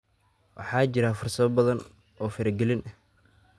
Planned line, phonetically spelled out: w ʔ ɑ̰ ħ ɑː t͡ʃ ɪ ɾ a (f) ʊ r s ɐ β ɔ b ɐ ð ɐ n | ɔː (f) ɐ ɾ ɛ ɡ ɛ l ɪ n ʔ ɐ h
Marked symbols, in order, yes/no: yes, yes

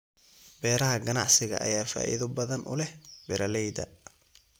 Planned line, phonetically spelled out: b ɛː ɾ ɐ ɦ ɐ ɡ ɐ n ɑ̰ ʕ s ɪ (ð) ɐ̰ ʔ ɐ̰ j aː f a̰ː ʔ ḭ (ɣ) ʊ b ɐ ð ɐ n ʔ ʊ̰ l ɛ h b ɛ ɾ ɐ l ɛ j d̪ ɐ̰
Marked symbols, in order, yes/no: no, no

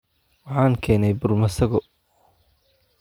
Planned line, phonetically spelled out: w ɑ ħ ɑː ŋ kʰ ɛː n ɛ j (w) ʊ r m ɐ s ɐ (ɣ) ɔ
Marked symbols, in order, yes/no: no, yes

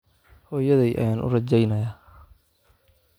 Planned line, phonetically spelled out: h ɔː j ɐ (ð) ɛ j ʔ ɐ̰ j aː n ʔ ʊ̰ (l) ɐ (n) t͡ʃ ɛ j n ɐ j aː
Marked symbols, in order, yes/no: yes, no, no

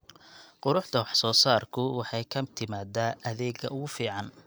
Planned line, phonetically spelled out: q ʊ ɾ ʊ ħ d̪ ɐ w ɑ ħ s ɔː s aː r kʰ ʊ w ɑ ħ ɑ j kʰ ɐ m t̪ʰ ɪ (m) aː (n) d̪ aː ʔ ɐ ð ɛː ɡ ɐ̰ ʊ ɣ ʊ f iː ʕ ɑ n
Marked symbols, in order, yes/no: yes, no

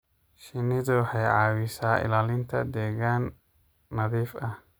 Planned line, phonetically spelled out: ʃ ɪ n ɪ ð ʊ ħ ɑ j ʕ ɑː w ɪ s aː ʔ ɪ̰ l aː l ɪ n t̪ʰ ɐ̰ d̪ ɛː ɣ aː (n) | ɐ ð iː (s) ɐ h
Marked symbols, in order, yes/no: no, no

